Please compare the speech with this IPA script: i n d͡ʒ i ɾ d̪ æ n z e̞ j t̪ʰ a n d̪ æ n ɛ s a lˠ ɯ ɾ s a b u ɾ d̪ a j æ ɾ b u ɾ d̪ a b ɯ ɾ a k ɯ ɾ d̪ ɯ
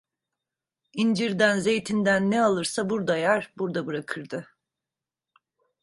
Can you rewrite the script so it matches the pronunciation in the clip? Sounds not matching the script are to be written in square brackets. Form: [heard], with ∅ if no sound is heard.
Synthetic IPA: i n d͡ʒ i ɾ d̪ æ n z e̞ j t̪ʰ [i] n d̪ æ [nː] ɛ [∅] a lˠ ɯ ɾ s a b u ɾ d̪ a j æ ɾ b u ɾ d̪ a b ɯ ɾ a [kʰ] ɯ ɾ d̪ ɯ

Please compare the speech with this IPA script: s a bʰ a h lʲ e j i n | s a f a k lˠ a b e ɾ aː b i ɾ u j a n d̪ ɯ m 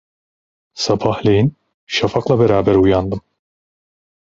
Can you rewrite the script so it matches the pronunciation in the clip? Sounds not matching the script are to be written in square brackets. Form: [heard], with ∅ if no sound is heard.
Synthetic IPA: s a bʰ a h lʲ e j i n | [ʃ] a f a k lˠ a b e ɾ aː b [æ] ɾ u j a n d̪ ɯ m

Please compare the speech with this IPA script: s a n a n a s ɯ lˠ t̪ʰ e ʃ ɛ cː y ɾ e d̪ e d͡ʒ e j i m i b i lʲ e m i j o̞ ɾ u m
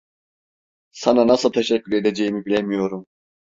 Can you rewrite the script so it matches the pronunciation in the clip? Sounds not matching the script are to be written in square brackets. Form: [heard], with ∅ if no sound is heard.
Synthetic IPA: s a n a n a s ɯ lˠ t̪ʰ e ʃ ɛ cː y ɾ e d̪ e d͡ʒ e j i m i b i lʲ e m i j o̞ ɾ u m

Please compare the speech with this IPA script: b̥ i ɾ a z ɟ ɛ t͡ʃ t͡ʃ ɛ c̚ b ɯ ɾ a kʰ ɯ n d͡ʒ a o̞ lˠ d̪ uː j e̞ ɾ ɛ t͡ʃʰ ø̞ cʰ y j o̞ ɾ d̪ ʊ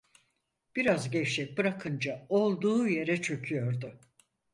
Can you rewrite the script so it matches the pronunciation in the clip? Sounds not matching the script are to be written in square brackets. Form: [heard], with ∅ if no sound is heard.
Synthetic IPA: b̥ i ɾ a z ɟ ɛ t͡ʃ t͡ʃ ɛ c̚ b ɯ ɾ a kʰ ɯ n d͡ʒ a o̞ lˠ d̪ uː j e̞ ɾ ɛ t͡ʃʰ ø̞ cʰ y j o̞ ɾ d̪ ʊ

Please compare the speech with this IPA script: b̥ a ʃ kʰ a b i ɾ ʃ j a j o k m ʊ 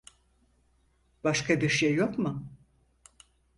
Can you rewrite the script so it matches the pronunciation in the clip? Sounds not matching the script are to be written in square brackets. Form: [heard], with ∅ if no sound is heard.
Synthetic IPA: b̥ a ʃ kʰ a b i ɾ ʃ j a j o k m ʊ

